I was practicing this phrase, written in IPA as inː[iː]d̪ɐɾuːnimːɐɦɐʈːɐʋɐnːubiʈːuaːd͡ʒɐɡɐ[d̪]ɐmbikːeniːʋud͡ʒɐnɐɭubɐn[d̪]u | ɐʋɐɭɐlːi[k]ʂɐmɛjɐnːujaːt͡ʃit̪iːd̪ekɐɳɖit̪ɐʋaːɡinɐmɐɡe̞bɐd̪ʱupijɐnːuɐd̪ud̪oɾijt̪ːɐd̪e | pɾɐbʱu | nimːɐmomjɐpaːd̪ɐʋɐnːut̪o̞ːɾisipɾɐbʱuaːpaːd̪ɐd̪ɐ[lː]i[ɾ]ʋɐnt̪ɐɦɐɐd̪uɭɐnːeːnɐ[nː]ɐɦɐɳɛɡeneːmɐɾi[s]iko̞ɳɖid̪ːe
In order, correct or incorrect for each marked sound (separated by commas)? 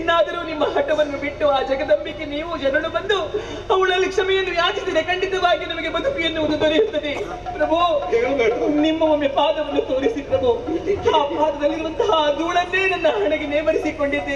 incorrect, correct, correct, correct, correct, correct, correct, correct